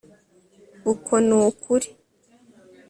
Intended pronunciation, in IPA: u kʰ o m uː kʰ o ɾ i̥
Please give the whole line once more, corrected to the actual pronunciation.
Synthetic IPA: u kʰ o n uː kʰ u ɾ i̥